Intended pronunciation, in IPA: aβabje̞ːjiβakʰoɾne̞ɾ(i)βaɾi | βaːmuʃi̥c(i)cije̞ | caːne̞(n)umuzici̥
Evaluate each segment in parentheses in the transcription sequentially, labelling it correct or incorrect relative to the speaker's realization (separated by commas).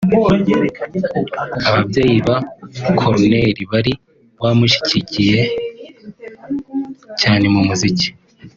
correct, correct, incorrect